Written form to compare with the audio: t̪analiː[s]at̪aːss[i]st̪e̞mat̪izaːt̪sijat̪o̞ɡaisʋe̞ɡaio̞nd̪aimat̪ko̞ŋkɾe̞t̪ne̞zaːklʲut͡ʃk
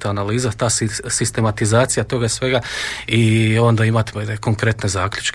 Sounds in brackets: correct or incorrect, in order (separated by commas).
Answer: incorrect, correct